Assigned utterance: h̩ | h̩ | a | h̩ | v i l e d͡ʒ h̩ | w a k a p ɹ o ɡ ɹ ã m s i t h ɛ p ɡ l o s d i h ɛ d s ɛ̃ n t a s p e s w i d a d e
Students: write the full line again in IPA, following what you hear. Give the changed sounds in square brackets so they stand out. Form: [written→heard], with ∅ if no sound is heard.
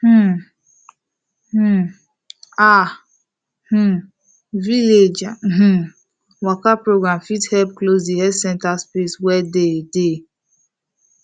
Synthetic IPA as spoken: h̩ | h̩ | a | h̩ | v i l e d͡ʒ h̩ | w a k a p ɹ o ɡ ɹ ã m [s→f] i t h ɛ p [ɡ→k] l o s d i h ɛ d s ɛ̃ n t a s p e s w [i→ɛ] d [a→e] d e